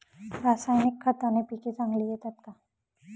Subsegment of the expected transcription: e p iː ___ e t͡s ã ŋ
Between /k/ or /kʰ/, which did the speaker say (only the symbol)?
k